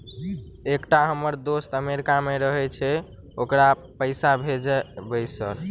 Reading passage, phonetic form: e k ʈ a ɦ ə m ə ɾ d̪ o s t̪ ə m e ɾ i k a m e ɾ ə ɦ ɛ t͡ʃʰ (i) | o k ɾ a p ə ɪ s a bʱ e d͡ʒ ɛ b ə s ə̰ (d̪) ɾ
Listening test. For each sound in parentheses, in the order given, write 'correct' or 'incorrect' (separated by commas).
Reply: incorrect, incorrect